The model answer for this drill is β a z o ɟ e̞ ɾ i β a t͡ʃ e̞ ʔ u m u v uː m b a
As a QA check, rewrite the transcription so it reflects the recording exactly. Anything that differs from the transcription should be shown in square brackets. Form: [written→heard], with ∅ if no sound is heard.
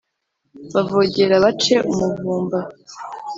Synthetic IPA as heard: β a [z→v] o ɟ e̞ ɾ [i→a] β a t͡ʃ e̞ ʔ u m u v uː m b a